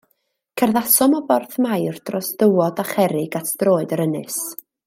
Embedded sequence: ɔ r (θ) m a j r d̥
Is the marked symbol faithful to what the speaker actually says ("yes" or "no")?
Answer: yes